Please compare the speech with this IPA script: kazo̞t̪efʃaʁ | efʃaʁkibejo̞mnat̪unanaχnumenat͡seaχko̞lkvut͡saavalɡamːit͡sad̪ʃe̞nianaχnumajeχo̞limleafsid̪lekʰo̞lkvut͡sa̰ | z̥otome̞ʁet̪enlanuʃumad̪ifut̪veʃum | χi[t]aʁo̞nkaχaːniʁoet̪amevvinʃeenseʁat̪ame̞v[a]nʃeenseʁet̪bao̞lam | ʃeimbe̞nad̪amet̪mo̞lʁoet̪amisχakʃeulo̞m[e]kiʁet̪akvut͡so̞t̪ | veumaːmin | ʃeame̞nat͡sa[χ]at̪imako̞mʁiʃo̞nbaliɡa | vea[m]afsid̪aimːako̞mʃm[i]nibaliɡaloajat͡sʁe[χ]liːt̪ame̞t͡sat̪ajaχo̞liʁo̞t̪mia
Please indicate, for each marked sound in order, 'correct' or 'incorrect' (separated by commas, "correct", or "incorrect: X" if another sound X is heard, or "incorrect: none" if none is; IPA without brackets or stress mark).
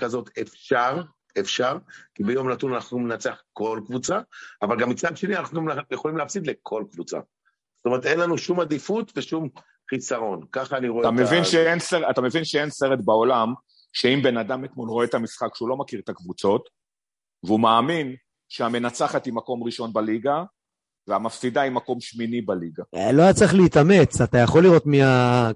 incorrect: s, incorrect: i, incorrect: a, correct, correct, correct, correct